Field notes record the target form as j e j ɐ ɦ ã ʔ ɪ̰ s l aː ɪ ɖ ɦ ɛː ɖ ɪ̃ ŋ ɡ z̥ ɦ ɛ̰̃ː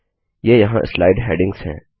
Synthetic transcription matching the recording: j e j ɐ ɦ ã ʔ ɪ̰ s l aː ɪ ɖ ɦ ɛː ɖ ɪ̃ ŋ ɡ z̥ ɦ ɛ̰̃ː